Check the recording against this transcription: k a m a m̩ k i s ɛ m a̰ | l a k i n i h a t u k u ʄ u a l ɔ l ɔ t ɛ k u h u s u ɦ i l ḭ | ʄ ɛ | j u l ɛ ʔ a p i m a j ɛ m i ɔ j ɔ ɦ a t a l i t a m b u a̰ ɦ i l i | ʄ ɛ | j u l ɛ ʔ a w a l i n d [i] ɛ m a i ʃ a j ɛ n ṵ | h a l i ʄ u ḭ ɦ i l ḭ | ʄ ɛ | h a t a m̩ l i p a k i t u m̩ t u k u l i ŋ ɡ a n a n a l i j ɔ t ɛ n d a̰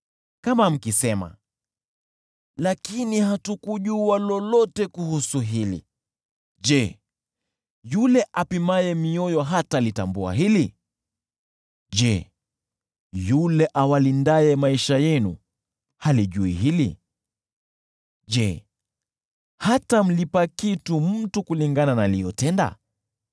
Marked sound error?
yes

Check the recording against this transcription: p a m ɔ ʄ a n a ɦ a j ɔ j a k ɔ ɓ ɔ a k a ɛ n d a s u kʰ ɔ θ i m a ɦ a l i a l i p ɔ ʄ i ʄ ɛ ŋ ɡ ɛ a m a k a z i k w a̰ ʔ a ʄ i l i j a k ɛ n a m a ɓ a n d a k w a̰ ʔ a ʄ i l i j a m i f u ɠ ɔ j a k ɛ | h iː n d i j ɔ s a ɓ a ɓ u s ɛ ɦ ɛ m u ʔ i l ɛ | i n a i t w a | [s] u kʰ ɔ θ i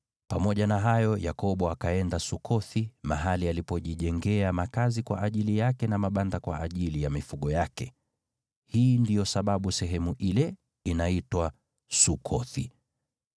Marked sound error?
no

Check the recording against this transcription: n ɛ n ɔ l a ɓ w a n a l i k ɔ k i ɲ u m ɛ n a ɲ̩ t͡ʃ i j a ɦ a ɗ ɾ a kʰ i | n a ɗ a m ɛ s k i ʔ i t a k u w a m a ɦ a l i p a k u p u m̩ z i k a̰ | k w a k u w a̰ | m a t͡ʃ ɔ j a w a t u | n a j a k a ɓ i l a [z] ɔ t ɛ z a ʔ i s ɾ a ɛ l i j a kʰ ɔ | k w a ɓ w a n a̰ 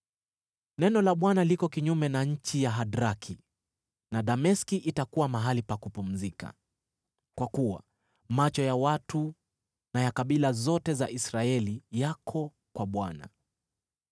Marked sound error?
no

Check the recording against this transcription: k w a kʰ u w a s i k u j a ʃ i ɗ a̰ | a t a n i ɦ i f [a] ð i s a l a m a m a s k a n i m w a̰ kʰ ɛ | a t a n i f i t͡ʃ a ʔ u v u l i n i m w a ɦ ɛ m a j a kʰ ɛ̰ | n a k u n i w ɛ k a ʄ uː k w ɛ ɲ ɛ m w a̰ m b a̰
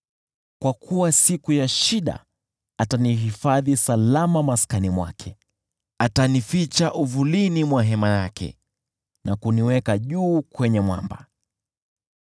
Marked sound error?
no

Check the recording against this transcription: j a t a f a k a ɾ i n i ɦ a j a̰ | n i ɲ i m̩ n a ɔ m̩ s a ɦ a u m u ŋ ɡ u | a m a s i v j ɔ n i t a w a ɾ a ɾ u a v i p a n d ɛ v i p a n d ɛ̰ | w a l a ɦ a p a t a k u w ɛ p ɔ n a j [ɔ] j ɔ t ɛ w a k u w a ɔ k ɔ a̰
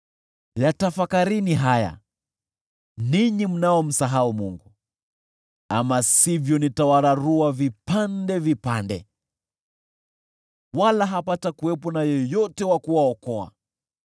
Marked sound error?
no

